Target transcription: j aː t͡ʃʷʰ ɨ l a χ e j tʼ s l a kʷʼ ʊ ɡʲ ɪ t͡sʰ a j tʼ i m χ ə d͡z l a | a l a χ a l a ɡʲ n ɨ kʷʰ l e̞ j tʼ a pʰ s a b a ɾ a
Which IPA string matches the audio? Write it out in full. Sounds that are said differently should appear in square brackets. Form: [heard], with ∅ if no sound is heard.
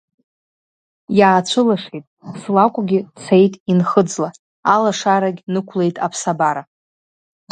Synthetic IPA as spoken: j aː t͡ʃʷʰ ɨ l a [ʂ] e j tʼ s l a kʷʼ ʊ ɡʲ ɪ t͡sʰ [e] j tʼ i [n] χ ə d͡z l a | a l a [ʂ] a [ɾ] a ɡʲ n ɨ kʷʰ l e̞ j tʼ a pʰ s a b a ɾ a